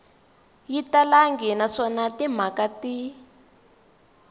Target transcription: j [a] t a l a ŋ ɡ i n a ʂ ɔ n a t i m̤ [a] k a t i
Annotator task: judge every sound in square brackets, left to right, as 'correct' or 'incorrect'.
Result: incorrect, correct

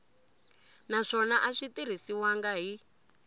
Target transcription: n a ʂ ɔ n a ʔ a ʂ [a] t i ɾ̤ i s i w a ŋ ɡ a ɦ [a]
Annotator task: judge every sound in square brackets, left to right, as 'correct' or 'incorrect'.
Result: incorrect, incorrect

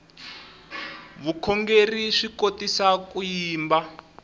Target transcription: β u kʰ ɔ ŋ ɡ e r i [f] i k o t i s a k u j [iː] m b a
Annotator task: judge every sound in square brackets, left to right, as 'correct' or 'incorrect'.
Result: incorrect, correct

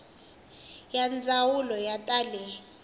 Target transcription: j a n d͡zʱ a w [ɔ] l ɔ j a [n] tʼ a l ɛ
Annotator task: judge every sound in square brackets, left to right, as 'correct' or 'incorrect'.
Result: incorrect, incorrect

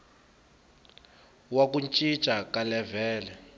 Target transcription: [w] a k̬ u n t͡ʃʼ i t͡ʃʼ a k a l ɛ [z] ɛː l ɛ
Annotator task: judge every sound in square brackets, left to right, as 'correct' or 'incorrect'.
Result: correct, incorrect

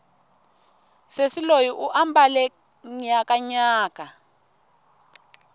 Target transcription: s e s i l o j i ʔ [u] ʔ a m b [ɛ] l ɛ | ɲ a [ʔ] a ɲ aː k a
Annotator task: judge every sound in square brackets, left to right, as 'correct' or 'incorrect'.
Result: correct, incorrect, incorrect

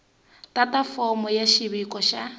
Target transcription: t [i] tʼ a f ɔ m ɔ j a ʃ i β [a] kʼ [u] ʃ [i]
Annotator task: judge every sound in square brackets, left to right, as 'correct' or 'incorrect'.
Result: incorrect, incorrect, incorrect, incorrect

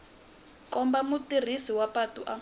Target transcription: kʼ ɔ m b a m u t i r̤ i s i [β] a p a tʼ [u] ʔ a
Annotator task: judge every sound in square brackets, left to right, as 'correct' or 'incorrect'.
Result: incorrect, correct

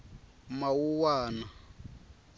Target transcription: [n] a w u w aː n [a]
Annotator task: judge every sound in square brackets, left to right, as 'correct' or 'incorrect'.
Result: incorrect, correct

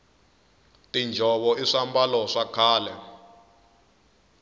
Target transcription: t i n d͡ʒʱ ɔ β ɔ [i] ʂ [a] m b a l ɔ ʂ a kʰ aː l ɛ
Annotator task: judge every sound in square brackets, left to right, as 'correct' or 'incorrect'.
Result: correct, correct

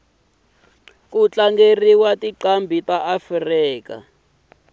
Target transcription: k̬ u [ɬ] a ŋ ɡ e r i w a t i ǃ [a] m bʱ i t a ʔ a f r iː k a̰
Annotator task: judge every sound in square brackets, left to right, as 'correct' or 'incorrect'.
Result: incorrect, correct

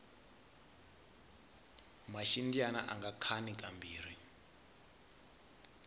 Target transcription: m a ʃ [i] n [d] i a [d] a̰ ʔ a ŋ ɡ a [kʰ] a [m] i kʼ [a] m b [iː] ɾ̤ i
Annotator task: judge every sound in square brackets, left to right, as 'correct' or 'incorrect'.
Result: correct, correct, incorrect, correct, incorrect, correct, correct

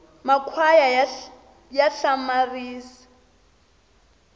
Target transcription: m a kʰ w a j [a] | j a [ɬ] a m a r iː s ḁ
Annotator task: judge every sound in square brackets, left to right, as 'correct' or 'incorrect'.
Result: correct, correct

